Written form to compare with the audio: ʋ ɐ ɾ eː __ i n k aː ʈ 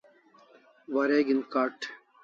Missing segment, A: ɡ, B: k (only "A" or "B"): A